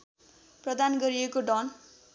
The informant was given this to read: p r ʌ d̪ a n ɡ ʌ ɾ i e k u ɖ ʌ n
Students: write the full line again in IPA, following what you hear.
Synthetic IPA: p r ʌ d̪ a n ɡ ʌ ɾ i e k o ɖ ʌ n